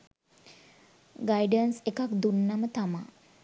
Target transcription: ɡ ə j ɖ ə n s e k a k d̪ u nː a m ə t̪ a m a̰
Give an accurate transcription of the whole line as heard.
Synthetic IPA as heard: ɡ a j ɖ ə n s e k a k d̪ u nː a m ə t̪ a m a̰